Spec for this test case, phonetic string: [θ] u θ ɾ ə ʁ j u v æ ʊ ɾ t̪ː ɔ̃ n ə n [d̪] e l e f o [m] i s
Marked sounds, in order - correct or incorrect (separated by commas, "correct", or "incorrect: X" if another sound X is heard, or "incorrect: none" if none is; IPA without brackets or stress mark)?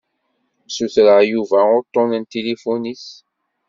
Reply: incorrect: s, incorrect: t̪, incorrect: n